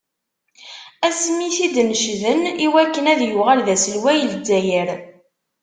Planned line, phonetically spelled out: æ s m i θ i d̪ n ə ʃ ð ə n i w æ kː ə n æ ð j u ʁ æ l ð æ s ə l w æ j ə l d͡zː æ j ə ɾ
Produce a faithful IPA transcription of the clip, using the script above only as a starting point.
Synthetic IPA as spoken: æ s m i θ i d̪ n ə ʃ ð ə n i w æ kː ə n æ ð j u ʁ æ l ð æ s ə l w æ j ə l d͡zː æ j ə ɾ

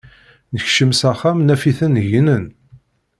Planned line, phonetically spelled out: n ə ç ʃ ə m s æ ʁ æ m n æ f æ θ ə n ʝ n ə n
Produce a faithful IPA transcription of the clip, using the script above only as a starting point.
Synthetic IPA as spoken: n ə ç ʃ ə m s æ χ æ m n æ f i θ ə n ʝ n ə n

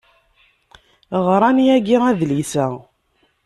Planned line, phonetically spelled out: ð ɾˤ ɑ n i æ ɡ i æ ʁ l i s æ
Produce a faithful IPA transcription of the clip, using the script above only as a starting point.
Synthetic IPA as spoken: ʁ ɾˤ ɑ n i æ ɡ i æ ð l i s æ

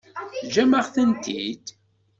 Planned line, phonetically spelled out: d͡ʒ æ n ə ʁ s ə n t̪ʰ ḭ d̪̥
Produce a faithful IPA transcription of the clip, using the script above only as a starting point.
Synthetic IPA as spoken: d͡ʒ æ m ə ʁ θ ə n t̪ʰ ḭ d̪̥

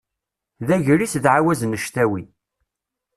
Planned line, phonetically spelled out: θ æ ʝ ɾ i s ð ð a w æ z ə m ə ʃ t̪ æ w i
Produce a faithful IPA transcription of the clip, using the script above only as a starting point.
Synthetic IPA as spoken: ð æ ʝ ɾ i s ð ʕ a w æ z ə n ə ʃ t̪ æ w i

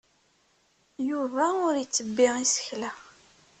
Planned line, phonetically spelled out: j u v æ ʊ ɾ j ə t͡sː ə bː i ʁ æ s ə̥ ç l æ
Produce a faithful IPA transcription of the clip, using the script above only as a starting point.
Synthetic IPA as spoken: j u v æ ʊ ɾ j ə t͡sː ə bː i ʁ i s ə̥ ç l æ

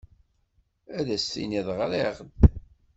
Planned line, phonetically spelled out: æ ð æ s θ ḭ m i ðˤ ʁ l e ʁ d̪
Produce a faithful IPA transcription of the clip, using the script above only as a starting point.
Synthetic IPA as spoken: æ ð æ s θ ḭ n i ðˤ ʁ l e ʁ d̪

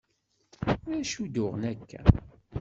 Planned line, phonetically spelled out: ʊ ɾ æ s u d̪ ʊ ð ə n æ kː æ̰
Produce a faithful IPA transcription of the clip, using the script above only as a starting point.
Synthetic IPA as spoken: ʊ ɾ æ ʃ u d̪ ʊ ʁ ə n æ kː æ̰

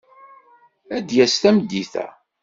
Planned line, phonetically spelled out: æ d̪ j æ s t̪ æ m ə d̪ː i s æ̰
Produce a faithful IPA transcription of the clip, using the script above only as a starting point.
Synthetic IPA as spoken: æ d̪ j æ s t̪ æ m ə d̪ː i θ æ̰

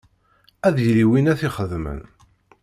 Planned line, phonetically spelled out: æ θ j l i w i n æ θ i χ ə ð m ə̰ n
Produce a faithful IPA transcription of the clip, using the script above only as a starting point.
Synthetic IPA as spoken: æ ð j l i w i n æ θ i χ ə ð m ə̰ n

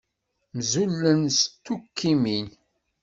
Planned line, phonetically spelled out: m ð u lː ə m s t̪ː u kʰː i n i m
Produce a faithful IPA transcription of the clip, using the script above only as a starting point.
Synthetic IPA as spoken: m z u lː ə n s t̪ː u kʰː i m i n

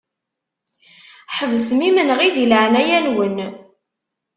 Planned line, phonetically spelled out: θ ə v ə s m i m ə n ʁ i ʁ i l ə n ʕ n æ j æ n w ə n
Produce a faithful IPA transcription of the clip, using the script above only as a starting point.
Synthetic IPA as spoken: ħ ə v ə s m i m ə n ʁ i ð i l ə ʕ n æ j æ n w ə n

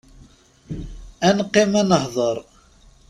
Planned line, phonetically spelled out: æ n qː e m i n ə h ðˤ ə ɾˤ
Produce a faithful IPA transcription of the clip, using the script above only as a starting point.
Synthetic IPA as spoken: æ n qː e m æ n ə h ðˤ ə ɾˤ

